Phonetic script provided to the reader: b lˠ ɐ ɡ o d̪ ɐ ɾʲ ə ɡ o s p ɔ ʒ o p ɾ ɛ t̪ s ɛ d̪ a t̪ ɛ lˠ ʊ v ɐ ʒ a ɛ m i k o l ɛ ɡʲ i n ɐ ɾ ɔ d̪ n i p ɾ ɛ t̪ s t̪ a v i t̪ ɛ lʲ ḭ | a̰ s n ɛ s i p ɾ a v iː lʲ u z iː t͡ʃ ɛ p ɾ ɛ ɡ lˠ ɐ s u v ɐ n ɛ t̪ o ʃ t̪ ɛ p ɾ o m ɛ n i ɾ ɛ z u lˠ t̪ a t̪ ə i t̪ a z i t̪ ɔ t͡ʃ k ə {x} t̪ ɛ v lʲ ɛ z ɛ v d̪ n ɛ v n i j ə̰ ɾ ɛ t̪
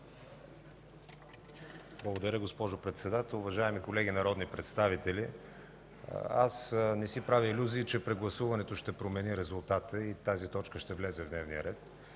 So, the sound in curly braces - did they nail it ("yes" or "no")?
no